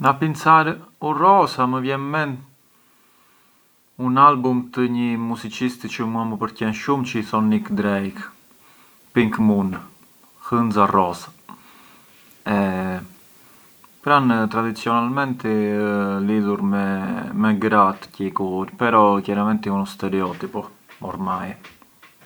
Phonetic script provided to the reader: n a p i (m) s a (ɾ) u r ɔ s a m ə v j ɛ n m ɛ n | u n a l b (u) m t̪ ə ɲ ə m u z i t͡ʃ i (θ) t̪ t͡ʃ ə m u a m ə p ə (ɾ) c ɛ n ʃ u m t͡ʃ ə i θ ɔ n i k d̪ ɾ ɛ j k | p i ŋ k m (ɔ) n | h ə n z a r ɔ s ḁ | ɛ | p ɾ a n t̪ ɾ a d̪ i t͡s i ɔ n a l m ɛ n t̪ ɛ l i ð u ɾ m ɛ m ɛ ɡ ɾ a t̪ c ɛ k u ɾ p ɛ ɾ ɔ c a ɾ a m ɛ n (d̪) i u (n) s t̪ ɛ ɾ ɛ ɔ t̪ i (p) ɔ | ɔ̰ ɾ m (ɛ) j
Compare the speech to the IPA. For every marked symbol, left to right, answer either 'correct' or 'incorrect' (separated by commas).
incorrect, correct, correct, incorrect, correct, incorrect, incorrect, correct, correct, incorrect